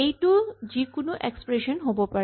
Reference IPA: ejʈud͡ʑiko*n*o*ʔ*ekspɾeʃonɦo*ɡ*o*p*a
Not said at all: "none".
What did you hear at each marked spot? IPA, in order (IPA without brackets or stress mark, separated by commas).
n, ʔ, b, p